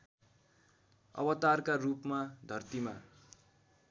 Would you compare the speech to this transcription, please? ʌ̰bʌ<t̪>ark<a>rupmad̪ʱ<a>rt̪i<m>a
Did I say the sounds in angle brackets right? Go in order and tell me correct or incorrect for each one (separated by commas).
correct, correct, incorrect, correct